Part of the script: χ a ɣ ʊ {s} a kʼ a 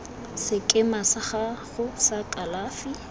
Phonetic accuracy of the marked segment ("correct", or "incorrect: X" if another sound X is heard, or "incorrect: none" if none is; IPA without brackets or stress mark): correct